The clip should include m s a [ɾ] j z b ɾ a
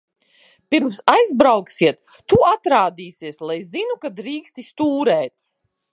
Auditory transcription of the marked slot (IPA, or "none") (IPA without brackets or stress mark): none